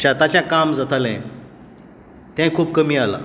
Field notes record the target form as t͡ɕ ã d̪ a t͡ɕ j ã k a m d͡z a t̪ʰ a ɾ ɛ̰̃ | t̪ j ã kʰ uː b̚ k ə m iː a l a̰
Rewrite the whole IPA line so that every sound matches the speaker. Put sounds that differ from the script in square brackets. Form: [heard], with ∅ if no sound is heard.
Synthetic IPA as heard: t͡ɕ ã [t̪] a t͡ɕ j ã k a m d͡z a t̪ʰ a [l] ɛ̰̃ | t̪ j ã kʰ uː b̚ k ə m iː a l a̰

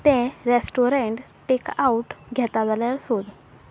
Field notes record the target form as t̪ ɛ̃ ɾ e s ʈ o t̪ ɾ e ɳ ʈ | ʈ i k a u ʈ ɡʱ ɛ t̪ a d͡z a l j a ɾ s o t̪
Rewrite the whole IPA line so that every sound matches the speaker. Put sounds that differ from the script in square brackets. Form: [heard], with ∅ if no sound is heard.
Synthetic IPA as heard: t̪ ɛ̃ ɾ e s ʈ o [∅] ɾ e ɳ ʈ | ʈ [e] k a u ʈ ɡʱ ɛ t̪ a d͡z a l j a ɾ s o [d̪]

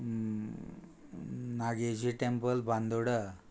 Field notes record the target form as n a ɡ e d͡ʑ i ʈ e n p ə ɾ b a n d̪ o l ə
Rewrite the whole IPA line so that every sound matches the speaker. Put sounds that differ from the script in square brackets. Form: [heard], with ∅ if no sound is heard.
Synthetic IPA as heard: n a ɡ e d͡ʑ i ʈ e [m] p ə [l] b a n d̪ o [ɽ] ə

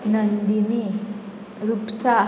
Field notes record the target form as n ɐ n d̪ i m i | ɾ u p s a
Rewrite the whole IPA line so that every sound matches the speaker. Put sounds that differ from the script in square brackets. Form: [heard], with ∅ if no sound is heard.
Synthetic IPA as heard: n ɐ n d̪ i [n] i | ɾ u p s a

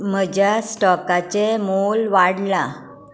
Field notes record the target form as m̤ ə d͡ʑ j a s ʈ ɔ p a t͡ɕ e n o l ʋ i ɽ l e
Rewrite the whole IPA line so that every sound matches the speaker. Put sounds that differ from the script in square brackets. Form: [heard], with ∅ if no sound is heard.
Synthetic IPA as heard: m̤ ə d͡ʑ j a s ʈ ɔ [k] a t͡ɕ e [m] o l ʋ [a] ɽ l [a]

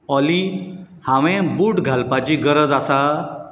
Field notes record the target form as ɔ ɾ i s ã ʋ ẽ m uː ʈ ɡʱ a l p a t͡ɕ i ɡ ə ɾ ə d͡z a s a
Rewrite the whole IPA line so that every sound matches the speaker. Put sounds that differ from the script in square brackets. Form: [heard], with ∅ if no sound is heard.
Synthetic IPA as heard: ɔ [l] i [h] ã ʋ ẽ [b] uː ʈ ɡʱ a l p a t͡ɕ i ɡ ə ɾ ə d͡z a s a

